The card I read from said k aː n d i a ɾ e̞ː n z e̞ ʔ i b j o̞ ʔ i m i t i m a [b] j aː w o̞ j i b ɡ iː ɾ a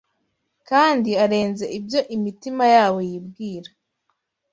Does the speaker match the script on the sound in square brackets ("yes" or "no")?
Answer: no